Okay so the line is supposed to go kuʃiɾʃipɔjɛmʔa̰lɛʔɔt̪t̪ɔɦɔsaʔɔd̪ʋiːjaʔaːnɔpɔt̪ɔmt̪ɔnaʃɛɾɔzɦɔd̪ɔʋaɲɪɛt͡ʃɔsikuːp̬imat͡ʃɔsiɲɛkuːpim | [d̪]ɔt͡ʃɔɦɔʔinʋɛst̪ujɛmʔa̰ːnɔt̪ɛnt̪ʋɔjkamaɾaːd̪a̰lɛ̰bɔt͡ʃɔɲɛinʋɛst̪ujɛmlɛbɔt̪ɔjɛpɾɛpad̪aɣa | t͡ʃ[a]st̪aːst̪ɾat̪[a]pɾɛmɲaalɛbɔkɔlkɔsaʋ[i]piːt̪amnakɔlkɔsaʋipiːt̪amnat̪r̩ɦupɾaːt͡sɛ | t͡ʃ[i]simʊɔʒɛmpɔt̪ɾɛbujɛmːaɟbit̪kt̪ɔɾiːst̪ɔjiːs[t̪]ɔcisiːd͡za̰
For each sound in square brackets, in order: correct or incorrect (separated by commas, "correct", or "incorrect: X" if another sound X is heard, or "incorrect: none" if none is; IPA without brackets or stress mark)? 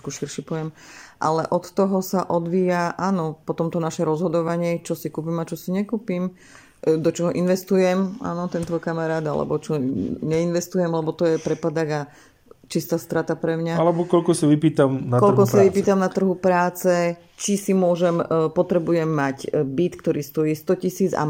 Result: correct, incorrect: i, correct, correct, correct, correct